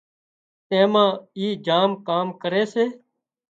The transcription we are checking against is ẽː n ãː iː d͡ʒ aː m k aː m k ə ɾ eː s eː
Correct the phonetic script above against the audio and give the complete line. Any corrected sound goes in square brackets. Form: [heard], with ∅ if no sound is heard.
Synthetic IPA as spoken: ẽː [m] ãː iː d͡ʒ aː m k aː m k ə ɾ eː s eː